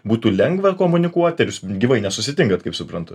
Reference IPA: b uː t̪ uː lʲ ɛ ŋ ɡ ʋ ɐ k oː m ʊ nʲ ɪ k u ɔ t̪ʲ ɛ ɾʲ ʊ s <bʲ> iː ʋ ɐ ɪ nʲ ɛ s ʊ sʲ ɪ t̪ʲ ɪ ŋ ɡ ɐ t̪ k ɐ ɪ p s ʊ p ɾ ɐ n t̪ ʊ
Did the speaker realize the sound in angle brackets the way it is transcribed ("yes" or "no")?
no